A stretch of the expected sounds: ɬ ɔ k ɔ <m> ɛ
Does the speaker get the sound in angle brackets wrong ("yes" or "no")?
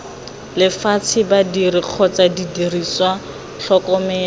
no